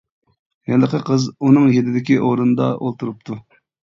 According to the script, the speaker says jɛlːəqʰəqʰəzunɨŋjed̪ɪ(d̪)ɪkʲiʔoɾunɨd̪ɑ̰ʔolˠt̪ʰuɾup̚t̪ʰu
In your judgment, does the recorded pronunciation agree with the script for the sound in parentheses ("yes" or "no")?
yes